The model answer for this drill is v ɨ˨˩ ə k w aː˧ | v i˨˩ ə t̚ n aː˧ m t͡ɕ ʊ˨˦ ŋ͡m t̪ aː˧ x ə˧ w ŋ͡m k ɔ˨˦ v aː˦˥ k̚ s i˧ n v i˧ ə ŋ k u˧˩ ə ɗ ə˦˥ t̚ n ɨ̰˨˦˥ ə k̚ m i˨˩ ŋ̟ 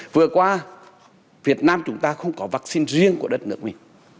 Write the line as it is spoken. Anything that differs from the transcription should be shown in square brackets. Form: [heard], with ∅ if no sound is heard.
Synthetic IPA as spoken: v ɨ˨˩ ə k w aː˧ | v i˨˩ ə t̚ n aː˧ m t͡ɕ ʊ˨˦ ŋ͡m t̪ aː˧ x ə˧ w ŋ͡m k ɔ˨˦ v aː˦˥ k̚ s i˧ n [z] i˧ ə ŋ k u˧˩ ə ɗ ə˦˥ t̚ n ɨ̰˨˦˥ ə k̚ m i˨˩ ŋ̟